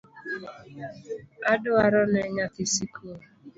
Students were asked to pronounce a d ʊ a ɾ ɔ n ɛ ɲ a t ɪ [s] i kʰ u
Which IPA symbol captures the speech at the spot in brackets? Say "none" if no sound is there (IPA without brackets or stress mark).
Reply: s